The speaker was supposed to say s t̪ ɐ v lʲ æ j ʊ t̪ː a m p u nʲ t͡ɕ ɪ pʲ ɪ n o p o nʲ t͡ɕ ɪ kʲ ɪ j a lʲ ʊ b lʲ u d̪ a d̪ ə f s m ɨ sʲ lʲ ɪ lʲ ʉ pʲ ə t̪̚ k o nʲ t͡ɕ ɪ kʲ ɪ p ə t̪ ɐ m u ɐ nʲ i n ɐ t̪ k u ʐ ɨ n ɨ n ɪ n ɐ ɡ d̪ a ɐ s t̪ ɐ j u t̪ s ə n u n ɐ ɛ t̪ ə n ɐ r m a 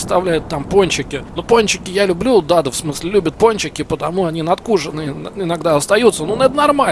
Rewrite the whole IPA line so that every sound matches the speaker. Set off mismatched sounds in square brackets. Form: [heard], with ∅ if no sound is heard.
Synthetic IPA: s t̪ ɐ v lʲ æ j ʊ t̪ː a m p [o] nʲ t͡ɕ ɪ [kʲ] ɪ n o p o nʲ t͡ɕ ɪ kʲ ɪ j a lʲ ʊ b lʲ u d̪ a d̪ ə f s m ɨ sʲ lʲ ɪ lʲ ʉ [bʲ] ə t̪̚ [p] o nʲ t͡ɕ ɪ kʲ ɪ p ə t̪ ɐ m u ɐ nʲ i n ɐ t̪ k u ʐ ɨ n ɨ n ɪ n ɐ ɡ d̪ a ɐ s t̪ ɐ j u t̪ s ə n u n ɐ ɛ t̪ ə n ɐ r m a